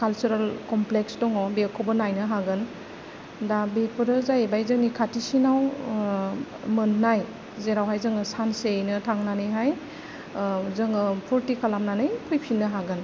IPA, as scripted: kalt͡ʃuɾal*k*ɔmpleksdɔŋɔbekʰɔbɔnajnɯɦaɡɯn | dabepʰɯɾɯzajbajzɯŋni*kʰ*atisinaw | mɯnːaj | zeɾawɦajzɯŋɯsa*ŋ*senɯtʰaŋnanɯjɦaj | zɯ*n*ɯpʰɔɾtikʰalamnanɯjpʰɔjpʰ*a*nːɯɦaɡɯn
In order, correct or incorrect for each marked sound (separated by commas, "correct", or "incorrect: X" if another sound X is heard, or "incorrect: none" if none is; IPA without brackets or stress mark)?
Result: correct, correct, incorrect: n, incorrect: ŋ, incorrect: i